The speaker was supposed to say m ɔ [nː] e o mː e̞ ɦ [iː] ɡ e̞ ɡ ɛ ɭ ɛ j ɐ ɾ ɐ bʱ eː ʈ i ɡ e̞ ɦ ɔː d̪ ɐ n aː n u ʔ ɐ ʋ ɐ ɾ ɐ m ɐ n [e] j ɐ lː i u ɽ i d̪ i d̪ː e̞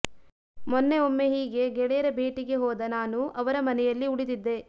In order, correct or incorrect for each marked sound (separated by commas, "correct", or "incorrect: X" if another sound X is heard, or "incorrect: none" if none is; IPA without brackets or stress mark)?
correct, correct, incorrect: ɛ